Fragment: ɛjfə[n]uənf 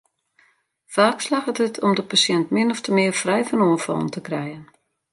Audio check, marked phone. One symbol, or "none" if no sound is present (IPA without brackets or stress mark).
n